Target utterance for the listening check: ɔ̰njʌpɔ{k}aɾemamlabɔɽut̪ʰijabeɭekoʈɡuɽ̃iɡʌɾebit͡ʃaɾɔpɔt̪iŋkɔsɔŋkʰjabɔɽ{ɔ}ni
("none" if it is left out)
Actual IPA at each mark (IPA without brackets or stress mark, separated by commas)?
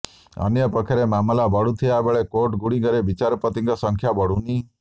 kʰ, u